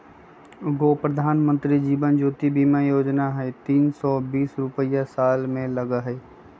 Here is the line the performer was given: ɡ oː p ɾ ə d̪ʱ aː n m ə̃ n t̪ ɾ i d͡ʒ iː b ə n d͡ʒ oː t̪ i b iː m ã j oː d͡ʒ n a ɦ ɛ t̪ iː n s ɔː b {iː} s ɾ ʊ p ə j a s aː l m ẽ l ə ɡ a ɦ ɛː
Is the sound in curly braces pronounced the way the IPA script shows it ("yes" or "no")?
yes